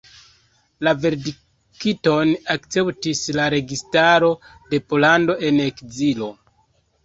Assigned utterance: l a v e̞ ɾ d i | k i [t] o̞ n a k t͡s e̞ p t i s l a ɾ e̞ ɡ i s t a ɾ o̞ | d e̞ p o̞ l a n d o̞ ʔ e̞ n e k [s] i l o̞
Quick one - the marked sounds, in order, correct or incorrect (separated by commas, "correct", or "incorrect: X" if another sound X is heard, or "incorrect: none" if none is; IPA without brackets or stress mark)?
correct, incorrect: z